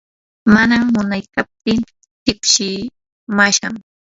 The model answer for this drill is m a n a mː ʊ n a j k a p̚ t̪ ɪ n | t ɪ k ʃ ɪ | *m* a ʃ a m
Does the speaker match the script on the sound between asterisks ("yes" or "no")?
yes